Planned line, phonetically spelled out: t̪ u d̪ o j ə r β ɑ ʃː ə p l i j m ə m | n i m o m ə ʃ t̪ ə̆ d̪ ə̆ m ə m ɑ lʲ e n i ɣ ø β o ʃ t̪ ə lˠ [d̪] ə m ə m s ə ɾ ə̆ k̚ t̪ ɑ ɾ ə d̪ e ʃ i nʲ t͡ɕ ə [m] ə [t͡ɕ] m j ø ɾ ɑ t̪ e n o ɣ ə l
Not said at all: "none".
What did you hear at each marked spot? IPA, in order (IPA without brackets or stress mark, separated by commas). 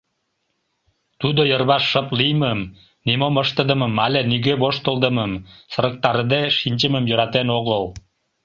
d̪, m, none